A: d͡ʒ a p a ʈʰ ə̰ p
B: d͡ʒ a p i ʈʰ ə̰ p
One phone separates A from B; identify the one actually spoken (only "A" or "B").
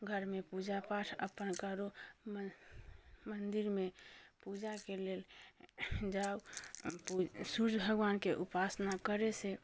A